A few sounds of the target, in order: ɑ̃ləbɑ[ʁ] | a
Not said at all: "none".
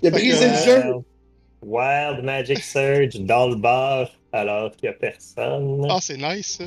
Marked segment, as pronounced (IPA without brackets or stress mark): ʁ